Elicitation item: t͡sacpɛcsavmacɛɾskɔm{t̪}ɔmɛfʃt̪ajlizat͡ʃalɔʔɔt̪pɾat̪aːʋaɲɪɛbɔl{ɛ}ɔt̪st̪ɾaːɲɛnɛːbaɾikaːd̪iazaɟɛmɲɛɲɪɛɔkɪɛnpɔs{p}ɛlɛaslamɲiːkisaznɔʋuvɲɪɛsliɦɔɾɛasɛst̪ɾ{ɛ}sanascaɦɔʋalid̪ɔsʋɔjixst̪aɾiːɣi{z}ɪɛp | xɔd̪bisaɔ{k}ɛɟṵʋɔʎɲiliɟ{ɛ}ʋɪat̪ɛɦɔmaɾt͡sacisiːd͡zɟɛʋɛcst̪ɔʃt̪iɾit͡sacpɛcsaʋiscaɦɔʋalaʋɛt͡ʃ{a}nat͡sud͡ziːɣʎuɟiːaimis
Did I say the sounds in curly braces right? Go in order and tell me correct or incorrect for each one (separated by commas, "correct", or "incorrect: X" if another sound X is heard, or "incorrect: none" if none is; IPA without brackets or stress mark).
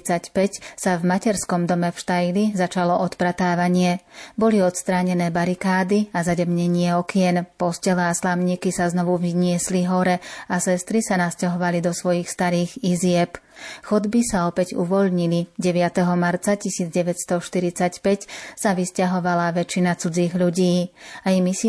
incorrect: d̪, incorrect: i, incorrect: c, incorrect: i, correct, incorrect: p, correct, incorrect: i